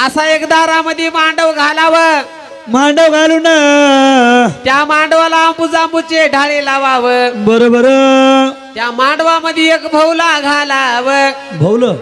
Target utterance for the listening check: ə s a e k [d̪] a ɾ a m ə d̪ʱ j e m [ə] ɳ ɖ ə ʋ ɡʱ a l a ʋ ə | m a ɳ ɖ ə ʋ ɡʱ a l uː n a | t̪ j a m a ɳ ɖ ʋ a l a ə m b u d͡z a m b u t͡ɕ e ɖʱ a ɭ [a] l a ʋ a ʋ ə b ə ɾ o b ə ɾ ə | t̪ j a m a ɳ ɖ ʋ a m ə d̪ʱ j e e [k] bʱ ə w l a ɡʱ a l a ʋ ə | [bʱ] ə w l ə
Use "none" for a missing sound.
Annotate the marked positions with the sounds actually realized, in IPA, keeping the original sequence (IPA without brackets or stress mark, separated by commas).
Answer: d̪, a, e, k, bʱ